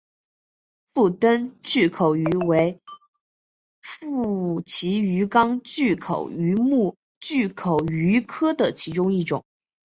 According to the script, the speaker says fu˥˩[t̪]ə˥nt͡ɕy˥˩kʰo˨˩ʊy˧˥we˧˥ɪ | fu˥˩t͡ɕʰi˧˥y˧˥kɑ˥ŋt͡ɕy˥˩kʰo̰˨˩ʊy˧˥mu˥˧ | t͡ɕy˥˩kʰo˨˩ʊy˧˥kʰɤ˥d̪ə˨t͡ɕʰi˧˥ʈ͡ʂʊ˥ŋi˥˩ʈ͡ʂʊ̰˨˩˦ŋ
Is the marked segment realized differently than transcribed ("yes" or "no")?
no